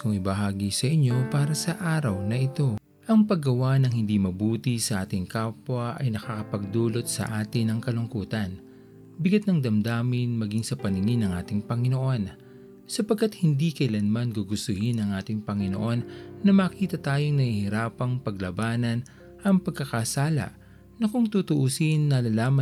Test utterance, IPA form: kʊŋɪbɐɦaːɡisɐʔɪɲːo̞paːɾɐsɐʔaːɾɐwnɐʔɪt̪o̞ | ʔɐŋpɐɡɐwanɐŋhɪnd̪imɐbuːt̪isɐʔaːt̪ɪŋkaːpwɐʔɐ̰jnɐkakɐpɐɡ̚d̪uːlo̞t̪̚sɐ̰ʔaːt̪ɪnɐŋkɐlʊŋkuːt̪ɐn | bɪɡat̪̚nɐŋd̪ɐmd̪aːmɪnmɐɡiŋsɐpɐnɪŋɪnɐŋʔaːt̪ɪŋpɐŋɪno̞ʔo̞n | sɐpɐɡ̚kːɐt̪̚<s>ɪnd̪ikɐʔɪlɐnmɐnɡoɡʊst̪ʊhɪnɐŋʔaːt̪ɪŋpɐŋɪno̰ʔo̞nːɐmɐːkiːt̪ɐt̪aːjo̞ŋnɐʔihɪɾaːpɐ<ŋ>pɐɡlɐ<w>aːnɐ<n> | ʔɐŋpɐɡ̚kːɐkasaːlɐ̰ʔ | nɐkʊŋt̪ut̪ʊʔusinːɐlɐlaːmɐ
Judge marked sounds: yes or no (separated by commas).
no, yes, no, yes